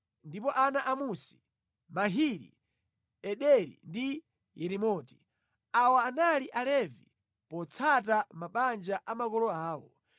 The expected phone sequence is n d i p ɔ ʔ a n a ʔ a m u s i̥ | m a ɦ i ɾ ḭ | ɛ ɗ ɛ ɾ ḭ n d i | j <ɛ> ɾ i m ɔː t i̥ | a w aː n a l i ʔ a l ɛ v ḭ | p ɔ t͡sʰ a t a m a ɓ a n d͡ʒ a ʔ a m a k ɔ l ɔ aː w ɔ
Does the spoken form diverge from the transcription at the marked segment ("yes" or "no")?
no